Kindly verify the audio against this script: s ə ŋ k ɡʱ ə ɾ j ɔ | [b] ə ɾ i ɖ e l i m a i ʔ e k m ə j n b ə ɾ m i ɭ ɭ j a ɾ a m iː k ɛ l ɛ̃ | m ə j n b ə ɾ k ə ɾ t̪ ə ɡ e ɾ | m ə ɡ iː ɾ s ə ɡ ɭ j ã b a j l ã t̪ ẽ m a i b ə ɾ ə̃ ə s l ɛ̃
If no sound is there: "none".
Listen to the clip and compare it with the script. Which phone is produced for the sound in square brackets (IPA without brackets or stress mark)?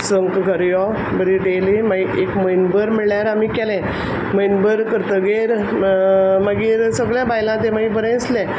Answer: b